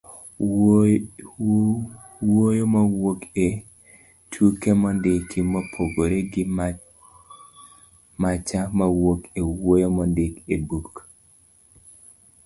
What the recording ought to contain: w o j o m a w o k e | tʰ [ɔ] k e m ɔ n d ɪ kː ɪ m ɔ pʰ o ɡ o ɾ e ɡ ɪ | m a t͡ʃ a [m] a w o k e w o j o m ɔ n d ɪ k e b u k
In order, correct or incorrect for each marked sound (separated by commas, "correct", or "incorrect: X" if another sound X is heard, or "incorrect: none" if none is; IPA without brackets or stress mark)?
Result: incorrect: u, correct